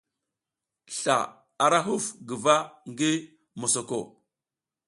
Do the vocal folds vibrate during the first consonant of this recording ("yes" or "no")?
no